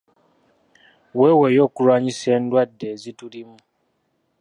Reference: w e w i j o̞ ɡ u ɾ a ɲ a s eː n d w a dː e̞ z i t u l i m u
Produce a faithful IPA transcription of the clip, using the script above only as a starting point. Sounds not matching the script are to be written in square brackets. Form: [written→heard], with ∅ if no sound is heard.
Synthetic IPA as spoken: w e w [i→e] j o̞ [ɡ→k] u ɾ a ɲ [a→i] s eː n d w a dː e̞ z i t u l i m u

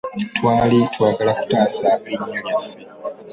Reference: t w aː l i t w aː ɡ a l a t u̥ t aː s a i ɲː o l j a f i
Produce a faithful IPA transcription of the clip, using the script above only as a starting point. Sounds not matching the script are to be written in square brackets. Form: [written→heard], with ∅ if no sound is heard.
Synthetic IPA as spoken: t w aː l i t w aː ɡ a l a [t→k] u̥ t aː s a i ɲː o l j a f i

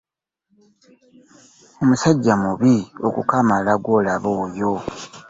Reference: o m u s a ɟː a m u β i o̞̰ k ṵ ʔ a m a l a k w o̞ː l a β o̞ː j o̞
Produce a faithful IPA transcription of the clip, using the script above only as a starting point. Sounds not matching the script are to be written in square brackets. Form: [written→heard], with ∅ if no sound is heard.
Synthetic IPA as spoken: o m u s a ɟː a m u β i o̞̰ k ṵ [ʔ→k] a m a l a [k→ɡ] w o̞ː l a β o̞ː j o̞

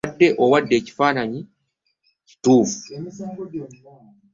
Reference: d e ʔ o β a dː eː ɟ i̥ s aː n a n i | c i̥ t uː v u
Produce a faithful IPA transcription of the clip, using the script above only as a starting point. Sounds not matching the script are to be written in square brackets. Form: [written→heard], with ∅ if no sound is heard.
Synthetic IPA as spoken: [d→dː] e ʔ o [β→w] a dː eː [ɟ→c] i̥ [s→f] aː n a [n→ɲ] i | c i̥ t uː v u

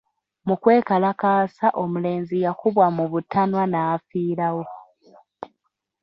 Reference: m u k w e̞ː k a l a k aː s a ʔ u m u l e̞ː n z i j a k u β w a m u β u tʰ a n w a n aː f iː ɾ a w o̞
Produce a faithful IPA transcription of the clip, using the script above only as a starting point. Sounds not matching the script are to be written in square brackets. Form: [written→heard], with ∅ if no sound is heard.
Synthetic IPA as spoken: m u k w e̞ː k a l a k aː s a ʔ [u→o] m u l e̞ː n z i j a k u β w a m u β u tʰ a n w a n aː f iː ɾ a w o̞

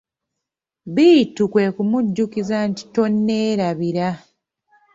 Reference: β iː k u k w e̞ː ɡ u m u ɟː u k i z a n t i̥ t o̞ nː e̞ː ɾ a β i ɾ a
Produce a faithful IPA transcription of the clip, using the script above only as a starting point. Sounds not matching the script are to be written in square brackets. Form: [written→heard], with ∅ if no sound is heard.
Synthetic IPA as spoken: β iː [k→t] u k w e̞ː [ɡ→k] u m u ɟː u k i z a n t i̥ t o̞ nː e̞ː ɾ a β i ɾ a

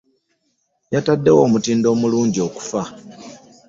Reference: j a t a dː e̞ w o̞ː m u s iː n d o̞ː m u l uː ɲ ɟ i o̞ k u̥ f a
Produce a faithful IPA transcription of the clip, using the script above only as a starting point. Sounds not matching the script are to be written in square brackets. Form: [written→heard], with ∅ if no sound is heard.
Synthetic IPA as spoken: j a t a dː e̞ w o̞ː m u [s→t] iː n d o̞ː m u l uː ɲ ɟ i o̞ k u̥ f a

